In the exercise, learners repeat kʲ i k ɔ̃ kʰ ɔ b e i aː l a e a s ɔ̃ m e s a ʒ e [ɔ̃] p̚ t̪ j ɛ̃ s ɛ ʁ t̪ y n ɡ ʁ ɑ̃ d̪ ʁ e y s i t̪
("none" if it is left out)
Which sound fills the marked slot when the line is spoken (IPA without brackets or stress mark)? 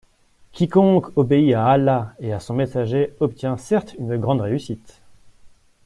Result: ɔ